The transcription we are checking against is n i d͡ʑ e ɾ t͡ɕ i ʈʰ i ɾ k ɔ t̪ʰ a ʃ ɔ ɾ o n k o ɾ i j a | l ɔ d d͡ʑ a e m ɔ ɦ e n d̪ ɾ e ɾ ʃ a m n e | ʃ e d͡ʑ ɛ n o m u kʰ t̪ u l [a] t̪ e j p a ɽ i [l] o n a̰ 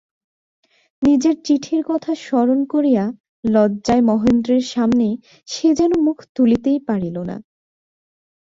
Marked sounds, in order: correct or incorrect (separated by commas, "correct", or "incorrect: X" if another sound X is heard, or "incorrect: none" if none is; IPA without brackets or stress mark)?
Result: incorrect: i, correct